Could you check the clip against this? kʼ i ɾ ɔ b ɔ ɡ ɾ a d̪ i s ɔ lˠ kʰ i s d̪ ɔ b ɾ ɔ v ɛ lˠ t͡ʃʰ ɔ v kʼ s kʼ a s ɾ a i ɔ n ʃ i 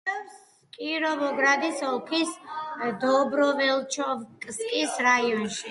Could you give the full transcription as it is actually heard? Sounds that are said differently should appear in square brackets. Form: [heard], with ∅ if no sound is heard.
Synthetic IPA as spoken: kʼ i ɾ ɔ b ɔ ɡ ɾ a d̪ i s ɔ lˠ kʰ i s d̪ ɔ b ɾ ɔ v ɛ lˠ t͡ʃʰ ɔ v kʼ s kʼ [i] s ɾ a i ɔ n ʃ i